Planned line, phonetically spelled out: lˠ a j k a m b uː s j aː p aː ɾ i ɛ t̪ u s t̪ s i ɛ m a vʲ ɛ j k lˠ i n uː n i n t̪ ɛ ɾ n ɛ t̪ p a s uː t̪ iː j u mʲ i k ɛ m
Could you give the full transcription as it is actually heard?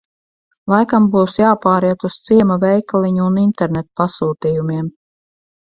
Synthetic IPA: lˠ a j k a m b uː s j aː p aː ɾ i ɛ t̪ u s t̪ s i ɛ m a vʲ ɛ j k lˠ i ɲ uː n i n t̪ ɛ ɾ n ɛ t̪ p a s uː t̪ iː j u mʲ i ɛ m